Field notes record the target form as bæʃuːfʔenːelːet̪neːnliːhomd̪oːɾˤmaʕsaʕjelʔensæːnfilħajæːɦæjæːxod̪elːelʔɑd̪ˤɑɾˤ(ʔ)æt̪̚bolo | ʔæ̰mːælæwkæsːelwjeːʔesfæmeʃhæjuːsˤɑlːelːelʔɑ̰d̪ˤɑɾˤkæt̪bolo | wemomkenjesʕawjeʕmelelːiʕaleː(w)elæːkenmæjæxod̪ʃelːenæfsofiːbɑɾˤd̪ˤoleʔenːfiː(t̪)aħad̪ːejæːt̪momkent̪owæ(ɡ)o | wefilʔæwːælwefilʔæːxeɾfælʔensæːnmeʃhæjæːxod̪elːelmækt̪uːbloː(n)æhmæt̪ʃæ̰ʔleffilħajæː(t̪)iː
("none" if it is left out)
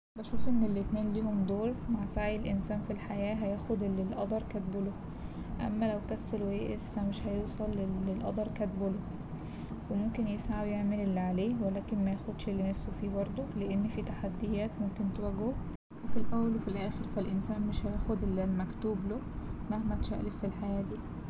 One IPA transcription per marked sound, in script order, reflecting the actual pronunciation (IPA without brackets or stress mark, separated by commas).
k, w, t̪, ɡ, m, d̪